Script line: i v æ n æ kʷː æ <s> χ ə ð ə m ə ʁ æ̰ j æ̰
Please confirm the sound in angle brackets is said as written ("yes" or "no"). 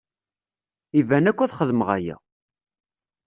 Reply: no